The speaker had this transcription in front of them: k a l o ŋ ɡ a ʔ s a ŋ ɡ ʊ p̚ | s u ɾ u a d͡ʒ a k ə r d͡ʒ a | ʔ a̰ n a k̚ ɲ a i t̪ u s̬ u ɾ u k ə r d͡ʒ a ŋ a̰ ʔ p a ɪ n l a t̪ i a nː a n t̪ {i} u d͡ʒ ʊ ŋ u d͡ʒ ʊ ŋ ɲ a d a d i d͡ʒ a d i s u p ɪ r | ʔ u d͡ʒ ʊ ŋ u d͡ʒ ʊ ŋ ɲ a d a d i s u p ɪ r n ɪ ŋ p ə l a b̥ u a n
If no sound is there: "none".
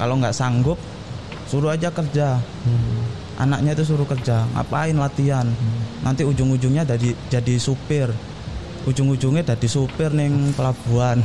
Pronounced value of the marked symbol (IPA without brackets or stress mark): i